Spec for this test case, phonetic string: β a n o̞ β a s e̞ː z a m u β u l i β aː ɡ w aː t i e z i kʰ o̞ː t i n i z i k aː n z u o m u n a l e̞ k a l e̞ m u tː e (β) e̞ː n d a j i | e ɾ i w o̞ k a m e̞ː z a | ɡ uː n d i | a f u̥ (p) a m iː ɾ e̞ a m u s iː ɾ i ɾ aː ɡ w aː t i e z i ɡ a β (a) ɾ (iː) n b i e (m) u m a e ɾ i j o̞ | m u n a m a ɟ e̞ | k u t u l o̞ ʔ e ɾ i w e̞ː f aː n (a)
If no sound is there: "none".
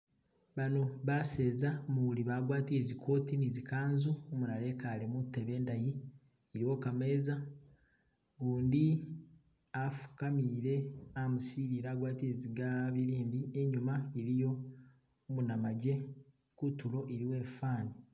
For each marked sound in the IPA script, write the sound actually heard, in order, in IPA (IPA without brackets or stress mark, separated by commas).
β, k, i, iː, ɲ, i